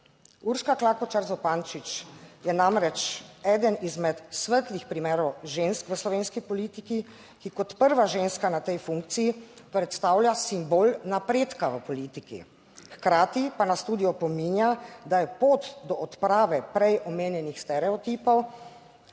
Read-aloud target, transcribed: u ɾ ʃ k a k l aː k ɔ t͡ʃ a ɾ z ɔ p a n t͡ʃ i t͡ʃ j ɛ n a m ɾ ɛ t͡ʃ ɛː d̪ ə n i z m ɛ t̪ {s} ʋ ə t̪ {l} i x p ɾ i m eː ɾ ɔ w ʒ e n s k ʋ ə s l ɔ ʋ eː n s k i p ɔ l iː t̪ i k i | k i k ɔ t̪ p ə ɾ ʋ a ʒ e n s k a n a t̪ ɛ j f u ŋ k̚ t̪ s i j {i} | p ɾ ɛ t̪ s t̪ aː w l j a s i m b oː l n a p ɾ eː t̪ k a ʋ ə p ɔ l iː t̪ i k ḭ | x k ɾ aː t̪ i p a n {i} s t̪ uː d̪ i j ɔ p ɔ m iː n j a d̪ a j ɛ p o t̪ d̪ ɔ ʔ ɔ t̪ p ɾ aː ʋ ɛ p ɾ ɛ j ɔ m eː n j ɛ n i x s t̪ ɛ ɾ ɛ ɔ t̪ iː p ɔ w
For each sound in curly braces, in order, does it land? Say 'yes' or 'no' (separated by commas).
yes, yes, yes, no